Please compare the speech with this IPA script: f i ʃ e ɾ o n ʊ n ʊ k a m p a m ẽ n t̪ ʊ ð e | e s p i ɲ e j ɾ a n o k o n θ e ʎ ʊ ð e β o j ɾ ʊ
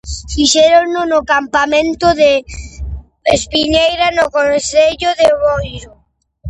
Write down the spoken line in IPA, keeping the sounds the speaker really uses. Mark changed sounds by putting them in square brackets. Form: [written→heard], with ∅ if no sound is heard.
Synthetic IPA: f i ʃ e ɾ o n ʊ n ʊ k a m p a m ẽ n t̪ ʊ ð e | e s p i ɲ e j ɾ a n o k o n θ e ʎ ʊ ð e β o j ɾ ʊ